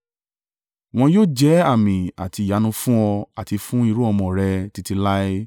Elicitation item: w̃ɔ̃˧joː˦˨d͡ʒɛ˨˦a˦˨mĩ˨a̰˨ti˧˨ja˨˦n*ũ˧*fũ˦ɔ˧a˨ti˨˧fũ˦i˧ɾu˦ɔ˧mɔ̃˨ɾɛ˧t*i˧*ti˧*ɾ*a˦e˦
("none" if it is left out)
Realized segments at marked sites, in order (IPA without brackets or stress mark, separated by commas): ũ˧, i˧, l